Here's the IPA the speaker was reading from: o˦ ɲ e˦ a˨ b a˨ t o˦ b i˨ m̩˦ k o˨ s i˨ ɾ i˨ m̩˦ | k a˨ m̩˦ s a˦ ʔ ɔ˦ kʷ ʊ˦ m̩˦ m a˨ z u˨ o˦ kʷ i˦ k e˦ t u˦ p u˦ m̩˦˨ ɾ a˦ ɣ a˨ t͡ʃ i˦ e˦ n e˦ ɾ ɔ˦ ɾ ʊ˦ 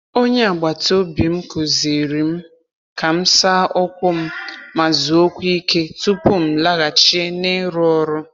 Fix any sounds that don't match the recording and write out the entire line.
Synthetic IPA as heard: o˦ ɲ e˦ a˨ ɡ͡b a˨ t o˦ b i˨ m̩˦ k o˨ z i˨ ɾ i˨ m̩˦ | k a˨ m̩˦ s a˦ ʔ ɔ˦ kʷ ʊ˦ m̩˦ m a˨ z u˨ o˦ kʷ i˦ k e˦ t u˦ p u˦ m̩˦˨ l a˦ ɣ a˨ t͡ʃ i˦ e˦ n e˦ ɾ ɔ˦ ɾ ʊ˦

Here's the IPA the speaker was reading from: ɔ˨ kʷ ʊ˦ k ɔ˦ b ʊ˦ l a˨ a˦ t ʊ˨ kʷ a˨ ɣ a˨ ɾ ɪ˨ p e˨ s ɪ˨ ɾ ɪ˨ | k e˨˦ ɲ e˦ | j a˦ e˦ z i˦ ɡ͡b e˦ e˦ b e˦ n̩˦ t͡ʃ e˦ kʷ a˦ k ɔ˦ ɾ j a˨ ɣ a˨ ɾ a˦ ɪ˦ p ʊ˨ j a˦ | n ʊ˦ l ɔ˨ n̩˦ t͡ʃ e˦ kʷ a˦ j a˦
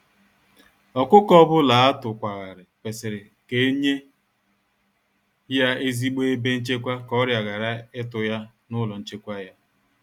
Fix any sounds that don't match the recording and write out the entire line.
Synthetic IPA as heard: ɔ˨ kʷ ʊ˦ k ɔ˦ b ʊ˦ l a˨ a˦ t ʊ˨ kʷ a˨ ɣ a˨ ɾ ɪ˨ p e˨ s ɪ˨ ɾ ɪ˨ | k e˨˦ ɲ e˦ | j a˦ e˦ z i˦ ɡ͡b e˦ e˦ b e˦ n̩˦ t͡ʃ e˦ kʷ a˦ k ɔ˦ ɾ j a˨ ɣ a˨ ɾ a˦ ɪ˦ t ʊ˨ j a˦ | n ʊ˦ l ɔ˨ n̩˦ t͡ʃ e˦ kʷ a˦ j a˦

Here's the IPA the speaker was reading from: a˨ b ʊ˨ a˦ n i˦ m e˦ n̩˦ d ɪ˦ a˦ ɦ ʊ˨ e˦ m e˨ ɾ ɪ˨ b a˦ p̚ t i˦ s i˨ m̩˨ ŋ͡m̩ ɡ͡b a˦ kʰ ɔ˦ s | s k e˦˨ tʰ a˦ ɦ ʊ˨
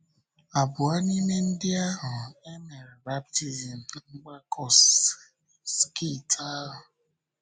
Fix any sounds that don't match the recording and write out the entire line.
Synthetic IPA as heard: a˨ b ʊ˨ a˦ n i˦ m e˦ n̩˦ d ɪ˦ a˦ ɦ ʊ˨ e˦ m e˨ ɾ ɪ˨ b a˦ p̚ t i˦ z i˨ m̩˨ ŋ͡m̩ ɡ͡b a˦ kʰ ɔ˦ s | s k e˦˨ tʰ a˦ ɦ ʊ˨

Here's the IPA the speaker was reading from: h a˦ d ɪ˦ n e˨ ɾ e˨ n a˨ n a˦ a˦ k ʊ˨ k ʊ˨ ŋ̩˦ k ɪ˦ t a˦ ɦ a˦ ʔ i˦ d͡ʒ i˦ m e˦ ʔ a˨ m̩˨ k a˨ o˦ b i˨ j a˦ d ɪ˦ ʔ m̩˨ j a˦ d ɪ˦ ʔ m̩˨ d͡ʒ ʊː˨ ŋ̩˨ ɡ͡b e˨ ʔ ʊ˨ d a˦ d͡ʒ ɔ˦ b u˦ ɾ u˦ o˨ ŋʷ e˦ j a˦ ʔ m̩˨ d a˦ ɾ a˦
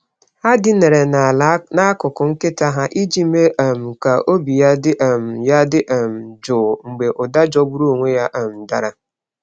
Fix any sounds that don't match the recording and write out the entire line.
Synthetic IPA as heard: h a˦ d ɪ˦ n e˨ ɾ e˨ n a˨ n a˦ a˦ k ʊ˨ k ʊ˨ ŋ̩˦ k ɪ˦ t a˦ ɦ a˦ ʔ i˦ d͡ʒ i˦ m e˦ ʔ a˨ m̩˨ k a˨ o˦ b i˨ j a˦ d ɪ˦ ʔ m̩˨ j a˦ d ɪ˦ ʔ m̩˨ d͡ʒ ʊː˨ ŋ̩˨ ɡ͡b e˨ ʔ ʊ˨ d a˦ d͡ʒ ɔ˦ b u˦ ɾ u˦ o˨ ŋʷ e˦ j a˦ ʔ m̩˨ d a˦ ɾ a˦

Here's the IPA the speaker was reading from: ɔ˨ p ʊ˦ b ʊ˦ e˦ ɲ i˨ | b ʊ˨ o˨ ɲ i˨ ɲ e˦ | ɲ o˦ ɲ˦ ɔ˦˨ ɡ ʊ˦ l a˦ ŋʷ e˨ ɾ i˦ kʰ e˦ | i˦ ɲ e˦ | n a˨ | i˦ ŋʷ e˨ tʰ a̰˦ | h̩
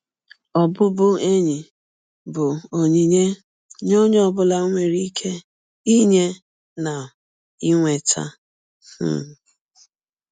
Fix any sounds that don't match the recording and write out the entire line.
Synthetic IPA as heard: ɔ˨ b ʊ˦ b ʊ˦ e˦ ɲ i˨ | b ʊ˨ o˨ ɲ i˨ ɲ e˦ | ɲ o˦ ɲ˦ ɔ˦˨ b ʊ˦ l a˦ ŋʷ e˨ ɾ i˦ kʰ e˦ | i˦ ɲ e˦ | n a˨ | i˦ ŋʷ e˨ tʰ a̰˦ | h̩

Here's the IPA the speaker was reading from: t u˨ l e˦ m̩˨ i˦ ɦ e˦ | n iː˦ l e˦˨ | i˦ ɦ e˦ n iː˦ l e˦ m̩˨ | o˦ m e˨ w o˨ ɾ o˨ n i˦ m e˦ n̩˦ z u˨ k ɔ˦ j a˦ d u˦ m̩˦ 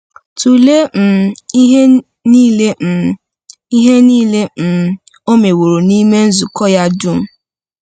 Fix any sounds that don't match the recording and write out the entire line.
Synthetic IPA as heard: t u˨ l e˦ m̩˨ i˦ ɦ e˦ | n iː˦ l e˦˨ | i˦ ɦ e˦ n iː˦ l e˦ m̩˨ | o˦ m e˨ w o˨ ɾ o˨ n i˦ m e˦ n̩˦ z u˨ k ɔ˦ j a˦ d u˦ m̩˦

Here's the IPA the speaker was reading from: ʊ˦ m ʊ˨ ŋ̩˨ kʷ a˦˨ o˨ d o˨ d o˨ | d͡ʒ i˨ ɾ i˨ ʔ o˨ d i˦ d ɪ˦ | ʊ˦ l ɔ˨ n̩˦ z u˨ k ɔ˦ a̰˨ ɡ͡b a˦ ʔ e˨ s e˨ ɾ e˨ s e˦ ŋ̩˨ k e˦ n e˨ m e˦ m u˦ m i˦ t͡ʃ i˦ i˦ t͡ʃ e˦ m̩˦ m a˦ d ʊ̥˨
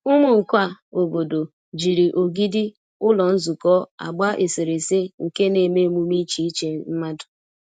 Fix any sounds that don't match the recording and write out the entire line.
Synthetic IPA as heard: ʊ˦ m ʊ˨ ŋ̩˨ kʷ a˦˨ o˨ b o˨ d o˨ | d͡ʒ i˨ ɾ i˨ ʔ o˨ ɡ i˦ d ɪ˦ | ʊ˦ l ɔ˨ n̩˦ z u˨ k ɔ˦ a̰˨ ɡ͡b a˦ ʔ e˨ s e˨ ɾ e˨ s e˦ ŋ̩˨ k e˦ n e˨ m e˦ m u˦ m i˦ t͡ʃ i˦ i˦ t͡ʃ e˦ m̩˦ m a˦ d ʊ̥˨

